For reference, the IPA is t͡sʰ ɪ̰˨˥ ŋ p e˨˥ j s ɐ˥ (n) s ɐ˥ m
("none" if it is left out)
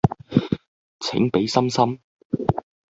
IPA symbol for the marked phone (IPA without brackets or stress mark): m